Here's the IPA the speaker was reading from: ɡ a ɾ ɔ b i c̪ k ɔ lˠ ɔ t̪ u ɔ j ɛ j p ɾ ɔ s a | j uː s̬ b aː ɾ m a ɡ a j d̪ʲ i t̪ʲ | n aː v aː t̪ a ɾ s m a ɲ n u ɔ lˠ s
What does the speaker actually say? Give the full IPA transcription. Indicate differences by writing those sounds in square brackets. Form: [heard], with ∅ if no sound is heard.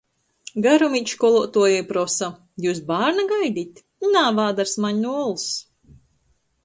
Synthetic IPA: ɡ a ɾ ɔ [m] i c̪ k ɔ lˠ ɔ t̪ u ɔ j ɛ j p ɾ ɔ s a | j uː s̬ b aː ɾ [n] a ɡ a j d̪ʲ i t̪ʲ | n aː v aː [d̪] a ɾ s m a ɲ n u ɔ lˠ s